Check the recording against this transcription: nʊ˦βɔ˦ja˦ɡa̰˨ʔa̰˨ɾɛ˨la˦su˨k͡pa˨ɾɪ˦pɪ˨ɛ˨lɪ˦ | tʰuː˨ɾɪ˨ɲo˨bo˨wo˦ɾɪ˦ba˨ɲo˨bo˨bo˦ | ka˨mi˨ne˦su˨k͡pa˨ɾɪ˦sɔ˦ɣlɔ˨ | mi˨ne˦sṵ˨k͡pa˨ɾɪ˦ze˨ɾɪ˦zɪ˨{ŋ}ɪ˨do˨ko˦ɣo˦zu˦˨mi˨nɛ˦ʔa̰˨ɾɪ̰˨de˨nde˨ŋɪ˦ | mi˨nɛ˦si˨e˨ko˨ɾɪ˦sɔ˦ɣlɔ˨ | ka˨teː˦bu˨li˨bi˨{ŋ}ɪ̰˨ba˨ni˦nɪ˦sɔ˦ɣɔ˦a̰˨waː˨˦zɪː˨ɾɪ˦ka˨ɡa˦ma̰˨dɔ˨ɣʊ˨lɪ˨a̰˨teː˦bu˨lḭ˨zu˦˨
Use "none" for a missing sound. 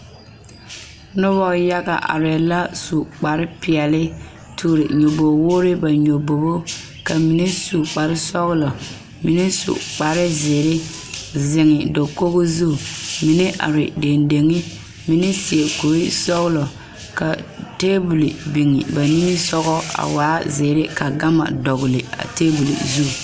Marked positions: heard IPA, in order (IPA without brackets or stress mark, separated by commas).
ŋ, ŋ